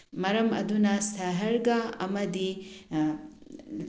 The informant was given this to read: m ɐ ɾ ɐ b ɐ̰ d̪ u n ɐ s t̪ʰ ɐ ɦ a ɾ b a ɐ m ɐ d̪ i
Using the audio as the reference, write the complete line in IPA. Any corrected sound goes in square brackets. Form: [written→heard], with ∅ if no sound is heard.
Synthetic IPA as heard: m ɐ ɾ ɐ [b→m] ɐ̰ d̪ u n ɐ s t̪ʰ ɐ ɦ [a→ɐ] ɾ [b→ɡ] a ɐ m ɐ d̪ i